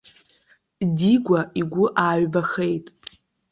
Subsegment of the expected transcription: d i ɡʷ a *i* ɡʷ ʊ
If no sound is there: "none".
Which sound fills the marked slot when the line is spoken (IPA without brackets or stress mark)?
i